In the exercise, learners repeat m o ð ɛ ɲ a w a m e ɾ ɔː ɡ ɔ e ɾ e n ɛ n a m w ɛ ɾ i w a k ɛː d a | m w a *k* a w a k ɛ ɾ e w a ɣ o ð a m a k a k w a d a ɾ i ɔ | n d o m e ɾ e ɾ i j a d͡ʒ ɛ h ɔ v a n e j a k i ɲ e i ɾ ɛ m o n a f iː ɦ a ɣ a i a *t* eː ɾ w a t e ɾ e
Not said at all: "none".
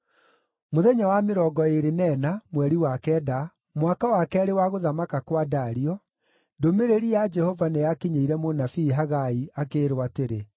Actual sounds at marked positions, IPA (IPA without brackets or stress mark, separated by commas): k, k